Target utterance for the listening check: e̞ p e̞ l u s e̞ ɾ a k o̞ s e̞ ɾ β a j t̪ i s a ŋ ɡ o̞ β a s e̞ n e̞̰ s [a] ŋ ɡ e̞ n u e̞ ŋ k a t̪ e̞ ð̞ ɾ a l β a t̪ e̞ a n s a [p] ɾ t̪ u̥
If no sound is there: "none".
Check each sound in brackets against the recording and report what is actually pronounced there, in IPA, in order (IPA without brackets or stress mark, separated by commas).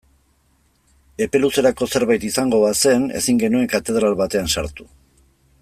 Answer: i, none